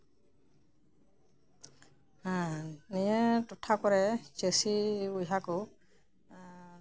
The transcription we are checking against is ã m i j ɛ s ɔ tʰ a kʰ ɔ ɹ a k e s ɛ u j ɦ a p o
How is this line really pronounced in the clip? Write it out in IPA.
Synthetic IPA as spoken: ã n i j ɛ t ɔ tʰ a k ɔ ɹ ɛ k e s i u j ɦ a k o